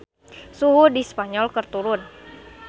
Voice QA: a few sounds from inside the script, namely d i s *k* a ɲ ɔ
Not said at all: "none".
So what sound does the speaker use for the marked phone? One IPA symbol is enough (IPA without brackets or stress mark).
p